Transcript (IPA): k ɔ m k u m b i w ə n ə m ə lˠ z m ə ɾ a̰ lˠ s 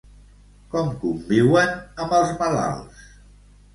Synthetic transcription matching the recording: k ɔ m k u m b i w ə n ə m ə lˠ z m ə l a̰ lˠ s